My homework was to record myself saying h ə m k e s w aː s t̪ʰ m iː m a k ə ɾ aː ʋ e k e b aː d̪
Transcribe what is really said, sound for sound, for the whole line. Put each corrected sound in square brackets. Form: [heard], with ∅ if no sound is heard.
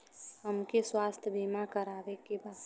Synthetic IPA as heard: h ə m k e s w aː s t̪ʰ [b] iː m a k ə ɾ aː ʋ e k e b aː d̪